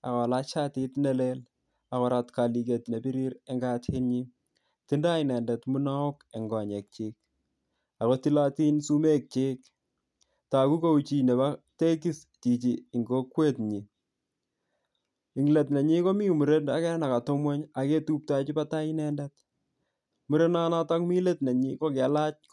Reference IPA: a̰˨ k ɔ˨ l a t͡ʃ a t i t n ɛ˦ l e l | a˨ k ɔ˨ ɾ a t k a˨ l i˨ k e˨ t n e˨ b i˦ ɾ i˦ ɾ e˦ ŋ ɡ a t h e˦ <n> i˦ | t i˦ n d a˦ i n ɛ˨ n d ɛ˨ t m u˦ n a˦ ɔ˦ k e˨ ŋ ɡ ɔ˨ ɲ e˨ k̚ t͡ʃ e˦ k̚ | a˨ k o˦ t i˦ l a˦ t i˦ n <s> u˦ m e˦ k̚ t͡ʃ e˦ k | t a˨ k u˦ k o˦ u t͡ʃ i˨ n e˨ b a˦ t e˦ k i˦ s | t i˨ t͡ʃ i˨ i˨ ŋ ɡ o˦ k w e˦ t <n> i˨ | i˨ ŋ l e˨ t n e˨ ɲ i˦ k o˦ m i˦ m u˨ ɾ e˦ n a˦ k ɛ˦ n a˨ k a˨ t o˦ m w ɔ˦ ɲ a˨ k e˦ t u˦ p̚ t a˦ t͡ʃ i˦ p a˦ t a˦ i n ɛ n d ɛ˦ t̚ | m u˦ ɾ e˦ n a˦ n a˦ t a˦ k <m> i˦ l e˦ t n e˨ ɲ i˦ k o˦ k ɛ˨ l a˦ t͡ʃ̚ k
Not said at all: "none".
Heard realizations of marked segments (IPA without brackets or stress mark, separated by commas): ɲ, s, ɲ, m